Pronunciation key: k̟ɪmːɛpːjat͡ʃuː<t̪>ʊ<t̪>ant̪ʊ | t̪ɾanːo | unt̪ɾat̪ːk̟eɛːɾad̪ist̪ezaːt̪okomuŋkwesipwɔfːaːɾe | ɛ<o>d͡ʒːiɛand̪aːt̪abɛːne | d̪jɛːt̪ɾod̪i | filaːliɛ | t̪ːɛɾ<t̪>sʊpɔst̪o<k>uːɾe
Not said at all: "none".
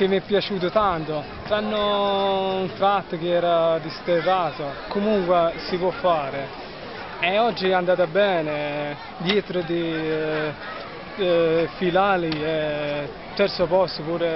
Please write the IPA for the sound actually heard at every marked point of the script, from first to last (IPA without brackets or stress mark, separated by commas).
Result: t̪, t̪, ɔ, t̪, p